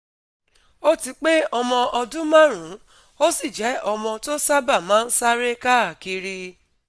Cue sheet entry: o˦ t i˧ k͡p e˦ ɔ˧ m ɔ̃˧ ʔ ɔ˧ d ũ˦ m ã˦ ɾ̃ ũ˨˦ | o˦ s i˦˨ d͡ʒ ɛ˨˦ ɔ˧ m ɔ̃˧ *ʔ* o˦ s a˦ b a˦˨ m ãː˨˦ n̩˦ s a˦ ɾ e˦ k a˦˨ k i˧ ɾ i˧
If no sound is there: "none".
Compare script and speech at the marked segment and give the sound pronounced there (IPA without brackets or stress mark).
t